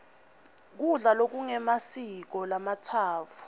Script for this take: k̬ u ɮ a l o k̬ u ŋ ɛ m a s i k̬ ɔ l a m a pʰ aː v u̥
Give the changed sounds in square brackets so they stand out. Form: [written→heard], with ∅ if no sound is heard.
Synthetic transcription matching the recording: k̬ u ɮ a l o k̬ u ŋ ɛ m a s i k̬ ɔ l a m a [pʰ→tʰ] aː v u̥